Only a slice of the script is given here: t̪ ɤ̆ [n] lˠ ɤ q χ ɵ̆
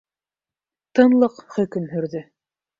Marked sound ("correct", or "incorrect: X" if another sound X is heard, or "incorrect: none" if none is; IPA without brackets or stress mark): correct